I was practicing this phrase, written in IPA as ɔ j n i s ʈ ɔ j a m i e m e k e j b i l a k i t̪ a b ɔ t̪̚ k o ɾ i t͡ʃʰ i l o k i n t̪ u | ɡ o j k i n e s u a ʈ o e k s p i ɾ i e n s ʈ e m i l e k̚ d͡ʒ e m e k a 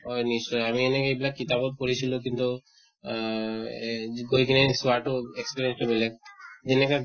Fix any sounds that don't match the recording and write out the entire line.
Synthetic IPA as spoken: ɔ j n i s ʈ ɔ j a m i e n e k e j b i l a k i t̪ a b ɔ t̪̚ k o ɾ i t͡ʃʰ i l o k i n t̪ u | ɡ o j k i n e s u a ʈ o e k s p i ɾ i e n s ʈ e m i l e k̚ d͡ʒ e n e k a